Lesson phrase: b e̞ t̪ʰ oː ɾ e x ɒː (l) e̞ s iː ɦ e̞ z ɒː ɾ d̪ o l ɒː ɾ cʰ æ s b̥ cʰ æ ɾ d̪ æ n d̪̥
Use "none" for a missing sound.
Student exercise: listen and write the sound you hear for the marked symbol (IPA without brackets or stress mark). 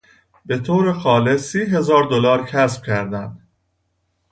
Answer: l